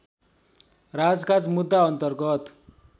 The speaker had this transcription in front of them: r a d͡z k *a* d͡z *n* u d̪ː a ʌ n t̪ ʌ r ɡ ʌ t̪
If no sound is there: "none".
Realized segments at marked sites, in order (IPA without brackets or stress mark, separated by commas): a, m